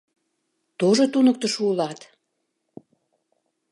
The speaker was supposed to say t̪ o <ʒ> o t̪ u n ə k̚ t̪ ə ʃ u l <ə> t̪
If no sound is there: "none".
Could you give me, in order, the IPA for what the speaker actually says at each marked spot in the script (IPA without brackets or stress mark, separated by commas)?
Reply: ʒ, ɑ